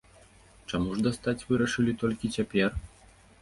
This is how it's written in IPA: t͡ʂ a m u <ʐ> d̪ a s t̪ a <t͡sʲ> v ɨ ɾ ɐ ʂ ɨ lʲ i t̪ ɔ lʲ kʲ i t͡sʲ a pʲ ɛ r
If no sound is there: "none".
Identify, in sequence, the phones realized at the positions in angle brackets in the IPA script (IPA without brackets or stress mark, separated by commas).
ʐ, t͡sʲ